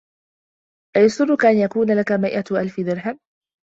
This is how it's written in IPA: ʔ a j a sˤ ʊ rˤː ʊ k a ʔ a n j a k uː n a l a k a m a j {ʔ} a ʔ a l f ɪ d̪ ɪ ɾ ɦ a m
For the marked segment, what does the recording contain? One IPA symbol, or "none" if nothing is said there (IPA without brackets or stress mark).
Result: ʔ